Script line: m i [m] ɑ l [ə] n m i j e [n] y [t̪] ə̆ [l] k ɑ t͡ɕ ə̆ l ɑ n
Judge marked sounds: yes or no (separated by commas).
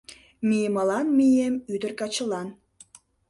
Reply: yes, no, no, no, no